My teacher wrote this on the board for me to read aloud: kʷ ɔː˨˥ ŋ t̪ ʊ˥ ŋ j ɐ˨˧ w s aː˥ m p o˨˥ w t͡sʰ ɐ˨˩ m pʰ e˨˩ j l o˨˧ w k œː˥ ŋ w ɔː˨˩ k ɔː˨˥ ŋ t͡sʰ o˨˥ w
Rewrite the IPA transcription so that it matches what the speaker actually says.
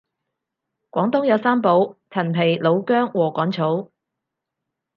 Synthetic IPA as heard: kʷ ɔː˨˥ ŋ t̪ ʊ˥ ŋ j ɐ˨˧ w s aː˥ m p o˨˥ w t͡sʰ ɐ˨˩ n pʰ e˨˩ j l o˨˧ w k œː˥ ŋ w ɔː˨˩ k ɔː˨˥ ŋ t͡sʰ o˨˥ w